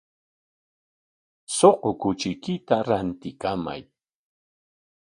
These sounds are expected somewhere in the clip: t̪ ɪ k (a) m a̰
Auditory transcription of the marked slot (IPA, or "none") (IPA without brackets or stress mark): a